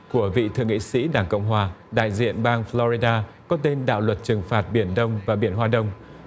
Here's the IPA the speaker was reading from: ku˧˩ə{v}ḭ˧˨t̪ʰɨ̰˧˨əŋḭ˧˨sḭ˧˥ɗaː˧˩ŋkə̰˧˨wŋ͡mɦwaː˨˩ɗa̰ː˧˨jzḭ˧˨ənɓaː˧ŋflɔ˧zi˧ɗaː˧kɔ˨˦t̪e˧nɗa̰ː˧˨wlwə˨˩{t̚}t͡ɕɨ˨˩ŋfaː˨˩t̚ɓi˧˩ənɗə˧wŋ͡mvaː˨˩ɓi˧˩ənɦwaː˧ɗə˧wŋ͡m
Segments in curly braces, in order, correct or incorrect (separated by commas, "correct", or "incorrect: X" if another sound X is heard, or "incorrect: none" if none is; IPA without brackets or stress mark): correct, correct